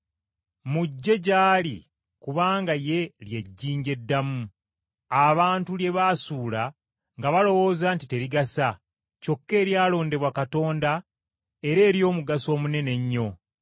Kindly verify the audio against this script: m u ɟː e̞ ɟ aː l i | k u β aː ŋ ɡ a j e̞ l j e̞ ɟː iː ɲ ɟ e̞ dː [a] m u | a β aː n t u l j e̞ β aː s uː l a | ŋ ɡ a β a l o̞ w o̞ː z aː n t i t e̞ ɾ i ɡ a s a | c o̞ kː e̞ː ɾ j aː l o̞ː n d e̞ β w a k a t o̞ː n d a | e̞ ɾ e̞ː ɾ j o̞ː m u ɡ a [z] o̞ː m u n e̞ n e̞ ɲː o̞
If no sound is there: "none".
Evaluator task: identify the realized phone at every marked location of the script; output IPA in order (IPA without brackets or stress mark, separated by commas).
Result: a, s